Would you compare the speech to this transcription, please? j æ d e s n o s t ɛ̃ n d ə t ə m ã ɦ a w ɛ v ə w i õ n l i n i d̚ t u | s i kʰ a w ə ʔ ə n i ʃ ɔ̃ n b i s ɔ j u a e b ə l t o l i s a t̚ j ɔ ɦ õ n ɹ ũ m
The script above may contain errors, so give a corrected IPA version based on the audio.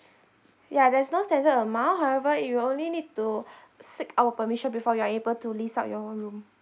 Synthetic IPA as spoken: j a d ɛ s n o s t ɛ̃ n d ə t ə m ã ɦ a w ɛ v ə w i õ n l i n i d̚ t u | s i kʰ a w ə p ə m i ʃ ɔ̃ n b i f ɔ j u a e b ə l t u l i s a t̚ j ɔ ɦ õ n ɹ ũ m